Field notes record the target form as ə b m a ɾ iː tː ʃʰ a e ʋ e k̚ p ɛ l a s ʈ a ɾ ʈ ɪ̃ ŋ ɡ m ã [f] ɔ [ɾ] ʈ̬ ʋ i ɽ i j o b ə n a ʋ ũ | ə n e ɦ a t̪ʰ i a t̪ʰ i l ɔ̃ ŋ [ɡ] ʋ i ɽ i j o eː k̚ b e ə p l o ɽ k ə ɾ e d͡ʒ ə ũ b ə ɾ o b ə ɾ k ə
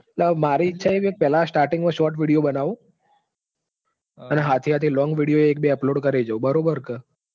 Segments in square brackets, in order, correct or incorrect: incorrect, correct, correct

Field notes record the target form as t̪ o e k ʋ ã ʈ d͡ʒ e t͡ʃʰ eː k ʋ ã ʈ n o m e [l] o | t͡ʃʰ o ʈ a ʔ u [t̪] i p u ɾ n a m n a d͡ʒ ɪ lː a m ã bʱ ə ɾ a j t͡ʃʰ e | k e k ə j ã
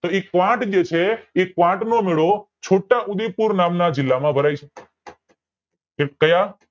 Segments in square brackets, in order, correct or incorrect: incorrect, incorrect

